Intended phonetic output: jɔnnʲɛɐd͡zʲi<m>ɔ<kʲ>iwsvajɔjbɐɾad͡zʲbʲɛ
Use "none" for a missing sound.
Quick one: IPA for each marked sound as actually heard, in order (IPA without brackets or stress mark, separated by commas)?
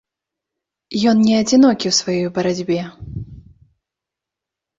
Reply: n, kʲ